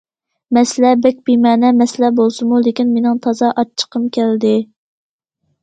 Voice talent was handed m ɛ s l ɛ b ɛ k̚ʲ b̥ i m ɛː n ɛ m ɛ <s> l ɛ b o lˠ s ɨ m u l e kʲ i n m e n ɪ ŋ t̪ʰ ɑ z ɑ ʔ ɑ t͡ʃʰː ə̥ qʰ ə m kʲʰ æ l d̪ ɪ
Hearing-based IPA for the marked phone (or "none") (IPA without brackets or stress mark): s